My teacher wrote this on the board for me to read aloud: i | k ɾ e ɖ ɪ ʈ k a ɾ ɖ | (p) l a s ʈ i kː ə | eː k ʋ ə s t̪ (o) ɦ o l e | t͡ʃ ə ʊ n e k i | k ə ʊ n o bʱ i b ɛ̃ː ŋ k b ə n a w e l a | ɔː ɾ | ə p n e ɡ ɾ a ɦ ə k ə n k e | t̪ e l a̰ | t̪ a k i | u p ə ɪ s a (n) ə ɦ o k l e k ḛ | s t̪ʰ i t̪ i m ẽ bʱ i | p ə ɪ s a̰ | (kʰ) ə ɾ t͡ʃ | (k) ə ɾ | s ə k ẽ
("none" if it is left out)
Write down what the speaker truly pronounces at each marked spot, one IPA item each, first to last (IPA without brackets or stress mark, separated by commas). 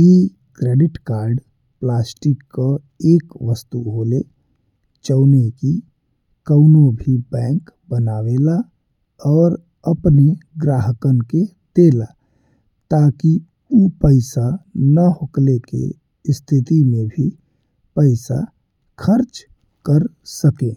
p, u, n, kʰ, k